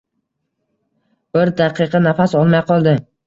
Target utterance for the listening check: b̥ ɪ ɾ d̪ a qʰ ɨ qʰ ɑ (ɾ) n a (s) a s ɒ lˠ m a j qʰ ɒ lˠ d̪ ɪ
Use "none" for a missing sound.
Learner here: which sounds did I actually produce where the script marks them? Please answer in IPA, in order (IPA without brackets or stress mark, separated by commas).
none, f